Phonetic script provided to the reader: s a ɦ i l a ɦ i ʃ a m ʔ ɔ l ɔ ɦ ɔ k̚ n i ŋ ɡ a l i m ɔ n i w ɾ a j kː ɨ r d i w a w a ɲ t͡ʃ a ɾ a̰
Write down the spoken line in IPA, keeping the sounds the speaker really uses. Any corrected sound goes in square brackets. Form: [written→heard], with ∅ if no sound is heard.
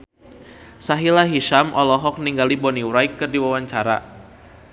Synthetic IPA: s a ɦ i l a ɦ i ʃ a m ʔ ɔ l ɔ ɦ ɔ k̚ n i ŋ ɡ a l i [m→b] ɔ n i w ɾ a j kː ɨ r d i w a w a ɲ t͡ʃ a ɾ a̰